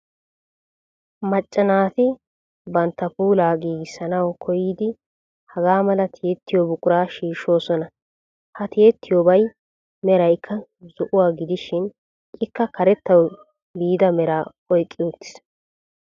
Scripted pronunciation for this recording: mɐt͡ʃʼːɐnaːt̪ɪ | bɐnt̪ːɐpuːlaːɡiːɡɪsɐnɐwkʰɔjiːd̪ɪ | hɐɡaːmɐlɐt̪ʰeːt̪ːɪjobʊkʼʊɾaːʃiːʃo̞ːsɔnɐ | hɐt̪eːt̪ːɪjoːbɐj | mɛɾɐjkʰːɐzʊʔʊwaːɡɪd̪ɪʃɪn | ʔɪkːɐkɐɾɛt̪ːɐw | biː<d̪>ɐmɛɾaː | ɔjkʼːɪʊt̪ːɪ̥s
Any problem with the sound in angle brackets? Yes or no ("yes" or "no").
no